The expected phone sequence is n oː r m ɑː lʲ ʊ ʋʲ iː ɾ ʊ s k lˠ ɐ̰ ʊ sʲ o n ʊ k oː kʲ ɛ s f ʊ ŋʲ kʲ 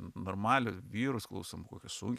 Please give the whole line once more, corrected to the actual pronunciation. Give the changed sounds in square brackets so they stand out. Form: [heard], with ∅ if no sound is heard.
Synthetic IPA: n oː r m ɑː lʲ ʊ ʋʲ iː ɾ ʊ s k lˠ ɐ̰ ʊ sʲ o [m] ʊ k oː kʲ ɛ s [s] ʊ ŋʲ kʲ